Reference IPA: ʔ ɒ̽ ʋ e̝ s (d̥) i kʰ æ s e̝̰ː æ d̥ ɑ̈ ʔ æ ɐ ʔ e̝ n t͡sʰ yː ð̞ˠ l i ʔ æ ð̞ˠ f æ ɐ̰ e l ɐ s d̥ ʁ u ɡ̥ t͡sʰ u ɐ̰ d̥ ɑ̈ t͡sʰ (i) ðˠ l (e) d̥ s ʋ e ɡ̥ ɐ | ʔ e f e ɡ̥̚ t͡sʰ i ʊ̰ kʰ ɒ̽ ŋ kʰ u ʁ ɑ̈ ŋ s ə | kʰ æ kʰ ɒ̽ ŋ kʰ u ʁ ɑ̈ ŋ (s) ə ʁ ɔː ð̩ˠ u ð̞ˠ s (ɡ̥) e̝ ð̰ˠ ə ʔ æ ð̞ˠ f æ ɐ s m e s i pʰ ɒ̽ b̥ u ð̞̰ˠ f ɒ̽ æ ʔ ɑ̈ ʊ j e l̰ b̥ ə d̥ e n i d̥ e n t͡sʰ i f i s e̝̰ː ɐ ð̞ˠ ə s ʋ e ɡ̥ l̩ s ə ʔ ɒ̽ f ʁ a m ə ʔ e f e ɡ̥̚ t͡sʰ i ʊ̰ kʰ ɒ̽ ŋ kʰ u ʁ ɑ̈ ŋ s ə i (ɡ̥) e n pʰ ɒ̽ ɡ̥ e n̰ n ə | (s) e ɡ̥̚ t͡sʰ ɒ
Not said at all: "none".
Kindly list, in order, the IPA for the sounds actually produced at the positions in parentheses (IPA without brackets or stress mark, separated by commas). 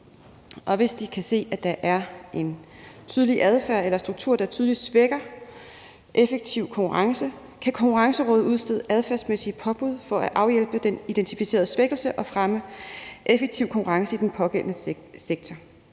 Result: d̥, y, i, s, d̥, d̥, s